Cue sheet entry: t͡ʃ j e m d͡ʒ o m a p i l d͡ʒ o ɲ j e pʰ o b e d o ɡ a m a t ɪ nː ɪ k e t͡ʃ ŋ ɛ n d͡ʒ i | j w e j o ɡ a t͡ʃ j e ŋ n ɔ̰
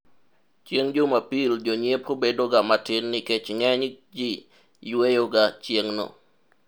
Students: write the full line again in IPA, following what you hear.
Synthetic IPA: t͡ʃ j e ŋ d͡ʒ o m a p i l d͡ʒ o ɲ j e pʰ o b e d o ɡ a m a t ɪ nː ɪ k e t͡ʃ ŋ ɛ ɲ d͡ʒ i | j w e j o ɡ a t͡ʃ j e ŋ n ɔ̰